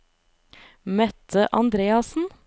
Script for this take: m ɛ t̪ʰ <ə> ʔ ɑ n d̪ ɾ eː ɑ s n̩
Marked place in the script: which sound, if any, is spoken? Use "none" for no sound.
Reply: ə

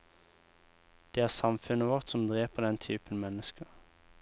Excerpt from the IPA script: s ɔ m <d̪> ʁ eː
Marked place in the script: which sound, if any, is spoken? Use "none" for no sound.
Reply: d̪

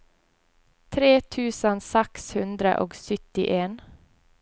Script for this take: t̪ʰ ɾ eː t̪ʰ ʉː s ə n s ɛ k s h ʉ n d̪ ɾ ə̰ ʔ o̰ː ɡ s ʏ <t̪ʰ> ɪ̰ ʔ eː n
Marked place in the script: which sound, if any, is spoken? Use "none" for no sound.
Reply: t̪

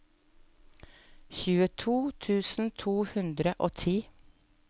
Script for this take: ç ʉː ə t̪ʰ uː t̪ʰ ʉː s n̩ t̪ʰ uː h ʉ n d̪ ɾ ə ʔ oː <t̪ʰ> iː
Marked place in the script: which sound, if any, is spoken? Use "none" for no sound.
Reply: t̪ʰ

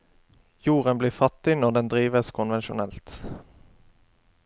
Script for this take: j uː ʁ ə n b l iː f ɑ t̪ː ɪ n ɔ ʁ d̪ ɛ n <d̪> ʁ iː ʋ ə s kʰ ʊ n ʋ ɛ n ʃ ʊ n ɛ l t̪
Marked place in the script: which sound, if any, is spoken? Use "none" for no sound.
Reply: d̪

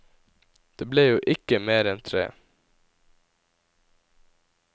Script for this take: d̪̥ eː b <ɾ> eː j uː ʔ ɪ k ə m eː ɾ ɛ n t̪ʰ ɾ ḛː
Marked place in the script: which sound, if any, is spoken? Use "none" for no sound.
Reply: l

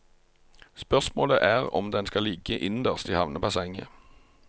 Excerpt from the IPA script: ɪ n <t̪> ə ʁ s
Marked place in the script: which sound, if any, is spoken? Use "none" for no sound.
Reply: d̪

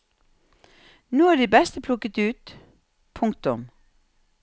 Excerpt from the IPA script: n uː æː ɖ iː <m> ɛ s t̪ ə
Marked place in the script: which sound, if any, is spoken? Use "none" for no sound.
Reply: b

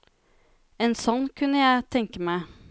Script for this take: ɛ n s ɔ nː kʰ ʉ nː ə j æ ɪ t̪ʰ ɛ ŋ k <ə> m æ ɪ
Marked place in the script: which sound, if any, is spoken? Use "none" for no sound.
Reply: ə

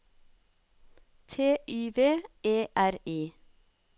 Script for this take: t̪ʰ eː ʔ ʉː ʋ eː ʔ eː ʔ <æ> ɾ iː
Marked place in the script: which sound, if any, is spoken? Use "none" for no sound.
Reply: æ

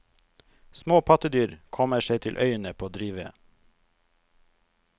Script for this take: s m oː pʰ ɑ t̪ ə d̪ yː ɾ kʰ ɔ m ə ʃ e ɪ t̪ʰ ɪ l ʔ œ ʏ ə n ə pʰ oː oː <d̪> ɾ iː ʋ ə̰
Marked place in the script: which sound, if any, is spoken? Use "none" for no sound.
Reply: d̪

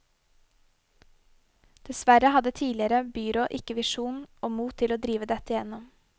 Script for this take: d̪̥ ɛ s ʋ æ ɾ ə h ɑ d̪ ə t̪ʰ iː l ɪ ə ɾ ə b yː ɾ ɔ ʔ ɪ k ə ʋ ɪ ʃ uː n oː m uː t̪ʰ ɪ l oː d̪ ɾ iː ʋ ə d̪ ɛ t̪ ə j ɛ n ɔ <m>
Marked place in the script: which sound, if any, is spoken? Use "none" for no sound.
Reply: m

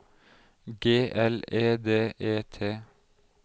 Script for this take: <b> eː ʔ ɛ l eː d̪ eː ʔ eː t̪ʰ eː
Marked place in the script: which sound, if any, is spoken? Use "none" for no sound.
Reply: ɡ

